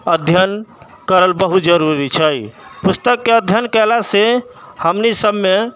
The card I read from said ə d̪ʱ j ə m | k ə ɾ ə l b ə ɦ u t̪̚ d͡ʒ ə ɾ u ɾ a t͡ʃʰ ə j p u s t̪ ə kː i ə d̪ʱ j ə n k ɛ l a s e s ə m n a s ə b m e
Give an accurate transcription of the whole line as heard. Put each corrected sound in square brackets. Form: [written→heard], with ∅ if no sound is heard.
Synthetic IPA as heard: ə d̪ʱ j ə [m→n] | k ə ɾ ə l b ə ɦ u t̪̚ d͡ʒ ə ɾ u ɾ [a→i] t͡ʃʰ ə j p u s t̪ ə kː [i→e] ə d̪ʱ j ə n k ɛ l a s e [s→h] ə m n [a→i] s ə b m e